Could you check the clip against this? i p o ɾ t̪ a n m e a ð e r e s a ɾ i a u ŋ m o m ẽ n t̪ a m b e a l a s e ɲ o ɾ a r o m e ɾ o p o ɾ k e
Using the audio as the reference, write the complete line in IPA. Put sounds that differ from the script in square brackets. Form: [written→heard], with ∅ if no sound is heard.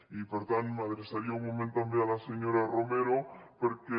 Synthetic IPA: i p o ɾ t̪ a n m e a ð e [r→ɾ] e s a ɾ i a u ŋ m o m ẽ n t̪ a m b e a l a s e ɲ o ɾ a r o m e ɾ o p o ɾ k e